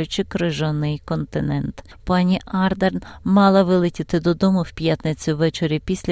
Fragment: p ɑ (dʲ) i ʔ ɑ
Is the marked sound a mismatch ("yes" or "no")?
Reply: yes